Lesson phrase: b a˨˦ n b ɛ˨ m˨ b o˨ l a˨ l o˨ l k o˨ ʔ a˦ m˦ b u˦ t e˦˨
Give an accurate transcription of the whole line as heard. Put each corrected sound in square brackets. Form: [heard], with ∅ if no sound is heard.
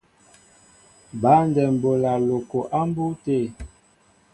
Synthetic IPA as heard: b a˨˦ n [d] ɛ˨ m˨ b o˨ l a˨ l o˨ [∅] k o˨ ʔ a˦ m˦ b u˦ t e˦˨